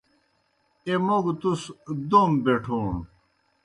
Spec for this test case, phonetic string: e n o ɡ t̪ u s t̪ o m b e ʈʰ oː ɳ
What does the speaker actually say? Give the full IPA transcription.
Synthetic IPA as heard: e m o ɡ t̪ u s d̪ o m b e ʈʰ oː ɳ